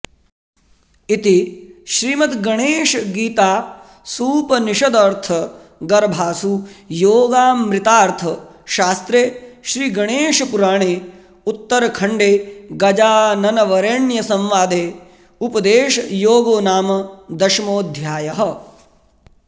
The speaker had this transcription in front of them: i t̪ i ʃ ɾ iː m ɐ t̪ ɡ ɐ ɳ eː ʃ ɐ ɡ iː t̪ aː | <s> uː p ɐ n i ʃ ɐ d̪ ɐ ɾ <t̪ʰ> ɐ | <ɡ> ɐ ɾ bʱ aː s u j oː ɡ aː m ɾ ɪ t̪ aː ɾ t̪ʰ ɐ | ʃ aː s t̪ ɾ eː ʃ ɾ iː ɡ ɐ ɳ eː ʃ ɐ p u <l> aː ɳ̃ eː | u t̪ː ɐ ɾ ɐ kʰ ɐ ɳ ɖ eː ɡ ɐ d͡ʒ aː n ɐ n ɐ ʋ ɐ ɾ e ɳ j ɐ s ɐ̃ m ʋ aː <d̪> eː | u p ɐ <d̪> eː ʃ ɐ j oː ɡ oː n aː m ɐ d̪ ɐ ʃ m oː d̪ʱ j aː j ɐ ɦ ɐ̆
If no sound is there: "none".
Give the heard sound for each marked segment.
s, t̪ʰ, ɡ, ɾ, d̪, d̪

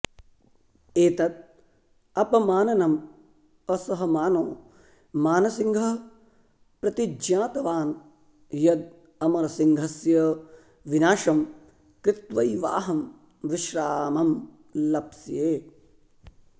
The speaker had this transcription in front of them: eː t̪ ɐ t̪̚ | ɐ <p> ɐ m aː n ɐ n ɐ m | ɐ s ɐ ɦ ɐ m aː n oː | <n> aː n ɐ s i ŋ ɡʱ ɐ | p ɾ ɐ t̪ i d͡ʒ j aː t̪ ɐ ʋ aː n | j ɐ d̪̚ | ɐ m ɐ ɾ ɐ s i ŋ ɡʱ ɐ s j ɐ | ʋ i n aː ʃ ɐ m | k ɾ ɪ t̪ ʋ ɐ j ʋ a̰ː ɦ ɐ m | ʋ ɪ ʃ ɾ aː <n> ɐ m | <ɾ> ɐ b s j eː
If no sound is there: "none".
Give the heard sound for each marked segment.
p, m, m, l

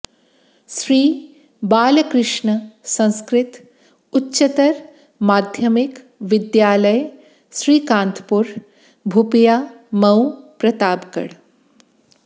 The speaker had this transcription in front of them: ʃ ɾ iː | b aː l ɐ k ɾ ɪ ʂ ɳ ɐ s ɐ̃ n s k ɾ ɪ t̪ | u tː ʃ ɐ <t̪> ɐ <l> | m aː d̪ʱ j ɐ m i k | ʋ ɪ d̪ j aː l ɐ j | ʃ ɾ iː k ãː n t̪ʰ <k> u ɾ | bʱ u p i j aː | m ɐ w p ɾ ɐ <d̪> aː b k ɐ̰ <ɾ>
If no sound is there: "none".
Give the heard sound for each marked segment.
t̪, ɾ, p, t̪, ɽ

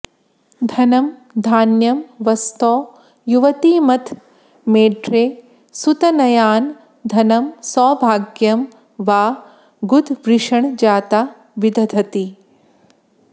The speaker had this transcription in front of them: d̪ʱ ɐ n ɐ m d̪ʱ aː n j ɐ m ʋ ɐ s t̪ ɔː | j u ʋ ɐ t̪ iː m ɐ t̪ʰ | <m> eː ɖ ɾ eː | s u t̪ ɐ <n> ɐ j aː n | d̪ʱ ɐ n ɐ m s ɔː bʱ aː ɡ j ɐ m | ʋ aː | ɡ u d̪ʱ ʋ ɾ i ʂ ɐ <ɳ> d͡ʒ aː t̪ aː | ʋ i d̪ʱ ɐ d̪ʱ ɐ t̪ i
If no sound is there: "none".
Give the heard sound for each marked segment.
m, n, ɳ

